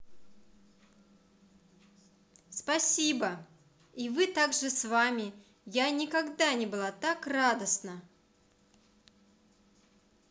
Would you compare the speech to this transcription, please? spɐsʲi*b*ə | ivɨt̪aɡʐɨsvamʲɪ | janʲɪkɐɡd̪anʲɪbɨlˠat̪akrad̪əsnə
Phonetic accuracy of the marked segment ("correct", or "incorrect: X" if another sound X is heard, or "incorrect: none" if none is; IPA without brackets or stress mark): correct